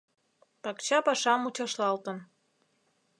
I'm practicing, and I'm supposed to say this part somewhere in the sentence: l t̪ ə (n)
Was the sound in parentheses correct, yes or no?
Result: yes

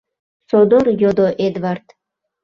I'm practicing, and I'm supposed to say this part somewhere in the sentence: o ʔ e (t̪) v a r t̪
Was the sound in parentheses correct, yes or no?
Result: no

